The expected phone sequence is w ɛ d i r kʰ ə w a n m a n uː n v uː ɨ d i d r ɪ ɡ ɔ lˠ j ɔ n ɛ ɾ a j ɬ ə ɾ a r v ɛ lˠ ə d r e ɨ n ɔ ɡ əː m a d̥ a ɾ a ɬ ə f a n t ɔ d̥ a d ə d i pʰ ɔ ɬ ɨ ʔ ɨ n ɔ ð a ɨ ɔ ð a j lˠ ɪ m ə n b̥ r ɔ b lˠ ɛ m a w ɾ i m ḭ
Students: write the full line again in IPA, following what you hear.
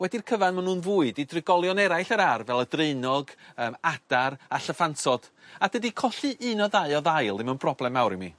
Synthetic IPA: w ɛ d i r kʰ ə v a n m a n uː n v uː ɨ d i d r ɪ ɡ ɔ lˠ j ɔ n ɛ ɾ a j ɬ ə ɾ a r v ɛ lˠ ə d r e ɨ n ɔ ɡ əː m a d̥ a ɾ a ɬ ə f a n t ɔ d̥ a d ə d i kʰ ɔ ɬ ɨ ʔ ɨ n ɔ ð a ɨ ɔ ð a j lˠ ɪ m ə n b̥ r ɔ b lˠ ɛ m a w ɾ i m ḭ